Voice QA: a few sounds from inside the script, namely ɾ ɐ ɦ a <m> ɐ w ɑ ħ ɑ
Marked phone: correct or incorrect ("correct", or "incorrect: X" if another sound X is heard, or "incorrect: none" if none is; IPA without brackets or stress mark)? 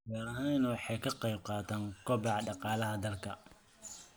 incorrect: n